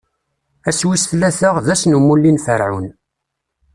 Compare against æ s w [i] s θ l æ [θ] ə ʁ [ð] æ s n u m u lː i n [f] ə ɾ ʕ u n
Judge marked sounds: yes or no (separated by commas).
yes, yes, yes, yes